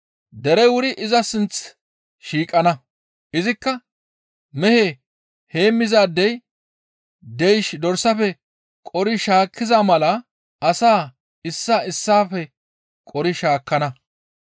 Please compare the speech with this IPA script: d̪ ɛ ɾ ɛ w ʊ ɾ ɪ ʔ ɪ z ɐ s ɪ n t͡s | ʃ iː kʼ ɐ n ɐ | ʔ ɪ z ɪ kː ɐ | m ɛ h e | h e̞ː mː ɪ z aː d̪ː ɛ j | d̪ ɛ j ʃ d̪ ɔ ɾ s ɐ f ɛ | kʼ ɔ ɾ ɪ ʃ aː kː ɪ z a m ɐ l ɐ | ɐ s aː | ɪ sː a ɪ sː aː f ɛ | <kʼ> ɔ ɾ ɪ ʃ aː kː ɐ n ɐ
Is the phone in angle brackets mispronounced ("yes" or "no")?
no